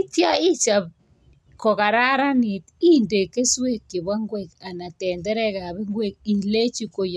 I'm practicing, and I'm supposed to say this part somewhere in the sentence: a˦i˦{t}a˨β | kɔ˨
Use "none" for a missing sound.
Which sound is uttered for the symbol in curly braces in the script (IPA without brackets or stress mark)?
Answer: t͡ʃ